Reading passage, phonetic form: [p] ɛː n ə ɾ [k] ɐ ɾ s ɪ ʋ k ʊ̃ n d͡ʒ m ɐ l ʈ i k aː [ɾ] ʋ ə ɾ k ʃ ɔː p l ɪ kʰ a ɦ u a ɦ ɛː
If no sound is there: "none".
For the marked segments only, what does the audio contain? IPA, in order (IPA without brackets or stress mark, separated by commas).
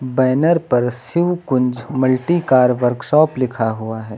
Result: b, p, ɾ